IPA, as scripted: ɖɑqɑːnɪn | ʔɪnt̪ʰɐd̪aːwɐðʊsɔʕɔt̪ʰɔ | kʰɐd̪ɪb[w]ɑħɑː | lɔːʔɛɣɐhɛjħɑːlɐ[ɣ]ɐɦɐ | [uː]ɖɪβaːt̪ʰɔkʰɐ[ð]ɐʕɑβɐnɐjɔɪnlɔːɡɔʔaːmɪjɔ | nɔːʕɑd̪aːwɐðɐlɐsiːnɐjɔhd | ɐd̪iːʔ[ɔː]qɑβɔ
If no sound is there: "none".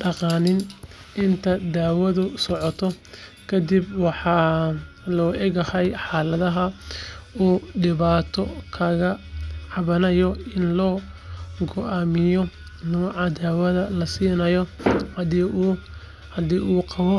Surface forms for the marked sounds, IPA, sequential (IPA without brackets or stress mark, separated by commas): w, ð, uː, ɣ, uː